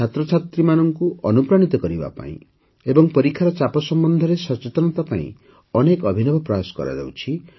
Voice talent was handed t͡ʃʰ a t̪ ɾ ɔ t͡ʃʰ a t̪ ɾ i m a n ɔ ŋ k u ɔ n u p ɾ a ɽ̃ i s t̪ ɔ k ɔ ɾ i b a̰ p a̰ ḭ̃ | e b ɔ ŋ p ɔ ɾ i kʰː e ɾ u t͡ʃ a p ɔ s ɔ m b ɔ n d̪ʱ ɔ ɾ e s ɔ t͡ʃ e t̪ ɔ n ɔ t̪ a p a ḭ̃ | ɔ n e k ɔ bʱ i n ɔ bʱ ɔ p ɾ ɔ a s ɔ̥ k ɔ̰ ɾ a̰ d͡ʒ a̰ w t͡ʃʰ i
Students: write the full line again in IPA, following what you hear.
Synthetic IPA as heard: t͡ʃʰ a t̪ ɾ ɔ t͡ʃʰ a t̪ ɾ i m a n ɔ ŋ k u ɔ n u p ɾ a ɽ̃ i t̪ ɔ k ɔ ɾ i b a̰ p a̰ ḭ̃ | e b ɔ ŋ p ɔ ɾ i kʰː a ɾ ɔ t͡ʃ a p ɔ s ɔ m b ɔ n d̪ʱ ɔ ɾ e s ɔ t͡ʃ e t̪ ɔ n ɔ t̪ a p a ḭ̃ | ɔ n e k ɔ bʱ i n ɔ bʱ ɔ p ɾ ɔ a s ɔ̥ k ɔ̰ ɾ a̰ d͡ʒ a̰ w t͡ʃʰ i